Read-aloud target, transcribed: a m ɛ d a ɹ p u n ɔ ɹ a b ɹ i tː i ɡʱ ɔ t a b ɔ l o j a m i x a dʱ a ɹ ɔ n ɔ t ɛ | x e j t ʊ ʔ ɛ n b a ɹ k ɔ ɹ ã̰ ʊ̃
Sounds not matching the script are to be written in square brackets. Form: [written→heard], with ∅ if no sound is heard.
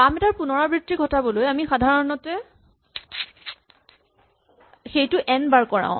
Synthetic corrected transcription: a m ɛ [d→t] a ɹ p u n ɔ ɹ a b ɹ i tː i ɡʱ ɔ t a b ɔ l o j a m i x a dʱ a ɹ ɔ n ɔ t ɛ | x e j t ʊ ʔ ɛ n b a ɹ k ɔ ɹ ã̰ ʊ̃